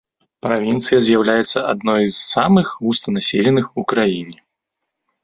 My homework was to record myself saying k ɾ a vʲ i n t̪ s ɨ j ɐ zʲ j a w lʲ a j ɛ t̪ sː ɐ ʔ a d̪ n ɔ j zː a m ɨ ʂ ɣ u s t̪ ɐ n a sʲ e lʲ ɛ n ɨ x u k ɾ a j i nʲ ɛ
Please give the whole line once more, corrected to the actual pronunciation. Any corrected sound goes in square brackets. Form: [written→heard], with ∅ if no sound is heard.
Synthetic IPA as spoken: [k→p] ɾ a vʲ i n t̪ s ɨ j ɐ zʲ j a w lʲ a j ɛ t̪ sː ɐ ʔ a d̪ n ɔ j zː a m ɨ [ʂ→x] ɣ u s t̪ ɐ n a sʲ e lʲ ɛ n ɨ x u k ɾ a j i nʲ ɛ